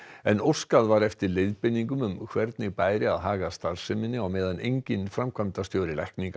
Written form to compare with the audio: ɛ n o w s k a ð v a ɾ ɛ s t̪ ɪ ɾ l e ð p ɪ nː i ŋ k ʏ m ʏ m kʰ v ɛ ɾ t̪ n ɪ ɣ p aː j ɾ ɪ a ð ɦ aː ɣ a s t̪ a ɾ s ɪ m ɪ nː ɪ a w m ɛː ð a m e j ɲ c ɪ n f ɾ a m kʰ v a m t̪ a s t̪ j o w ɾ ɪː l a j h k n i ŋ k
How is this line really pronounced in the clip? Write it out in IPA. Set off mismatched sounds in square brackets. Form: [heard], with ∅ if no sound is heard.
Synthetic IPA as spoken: ɛ n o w s k a ð v a ɾ ɛ [f] t̪ ɪ ɾ l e ð p ɪ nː i ŋ k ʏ m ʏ m kʰ v ɛ ɾ t̪ n ɪ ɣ p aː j ɾ ɪ a ð ɦ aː ɣ a s t̪ a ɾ s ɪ m ɪ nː ɪ a w m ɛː ð a [n] e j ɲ c ɪ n f ɾ a m kʰ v a m t̪ a s t̪ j o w ɾ [ɪ] l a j h k n i ŋ k